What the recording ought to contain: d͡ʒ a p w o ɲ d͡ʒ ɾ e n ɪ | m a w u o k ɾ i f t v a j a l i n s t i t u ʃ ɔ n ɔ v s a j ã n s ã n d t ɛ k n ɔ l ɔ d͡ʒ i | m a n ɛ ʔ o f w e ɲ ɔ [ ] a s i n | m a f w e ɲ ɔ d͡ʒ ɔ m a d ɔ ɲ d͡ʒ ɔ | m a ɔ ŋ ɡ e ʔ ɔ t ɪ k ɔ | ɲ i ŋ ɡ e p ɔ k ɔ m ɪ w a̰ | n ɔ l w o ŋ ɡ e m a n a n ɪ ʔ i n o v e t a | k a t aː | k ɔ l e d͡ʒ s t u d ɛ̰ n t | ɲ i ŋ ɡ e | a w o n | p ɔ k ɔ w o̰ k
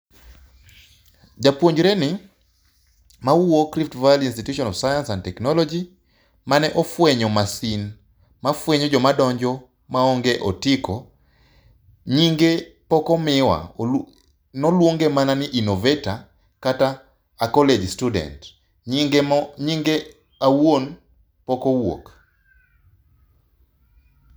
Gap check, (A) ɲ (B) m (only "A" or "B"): B